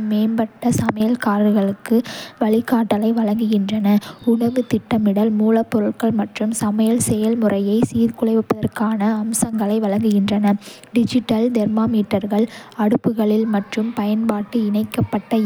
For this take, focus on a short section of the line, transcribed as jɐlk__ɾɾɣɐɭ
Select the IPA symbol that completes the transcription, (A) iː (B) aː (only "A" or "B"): B